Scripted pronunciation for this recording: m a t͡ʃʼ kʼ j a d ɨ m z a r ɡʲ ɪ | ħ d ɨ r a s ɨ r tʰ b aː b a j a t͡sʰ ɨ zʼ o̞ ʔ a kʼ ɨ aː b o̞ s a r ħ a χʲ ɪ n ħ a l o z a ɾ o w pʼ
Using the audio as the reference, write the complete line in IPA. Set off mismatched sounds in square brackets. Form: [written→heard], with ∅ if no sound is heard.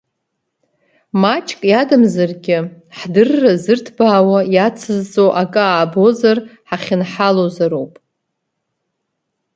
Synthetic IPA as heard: m a t͡ʃʼ kʼ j a d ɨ m z a r ɡʲ ɪ | ħ d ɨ [r→rː] a [s→z] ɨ r tʰ b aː [b→w] a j a t͡sʰ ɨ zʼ o̞ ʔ a kʼ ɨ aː b o̞ [s→z] a r ħ a χʲ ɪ n ħ a l o z a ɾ o w pʼ